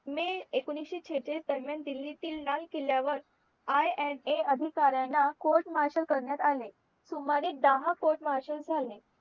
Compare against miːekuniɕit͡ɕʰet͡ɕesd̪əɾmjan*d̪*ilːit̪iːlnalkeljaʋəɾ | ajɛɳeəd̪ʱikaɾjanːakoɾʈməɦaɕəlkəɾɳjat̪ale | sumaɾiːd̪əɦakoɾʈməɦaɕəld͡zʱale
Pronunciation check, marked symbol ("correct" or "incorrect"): correct